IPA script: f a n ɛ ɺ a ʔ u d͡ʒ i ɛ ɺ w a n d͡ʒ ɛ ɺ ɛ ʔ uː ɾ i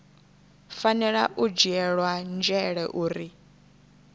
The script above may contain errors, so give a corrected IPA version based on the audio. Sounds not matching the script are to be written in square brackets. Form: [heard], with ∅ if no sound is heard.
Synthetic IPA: f a n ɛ ɺ a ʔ u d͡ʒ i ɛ ɺ w a n d͡ʒ ɛ ɺ ɛ ʔ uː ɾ i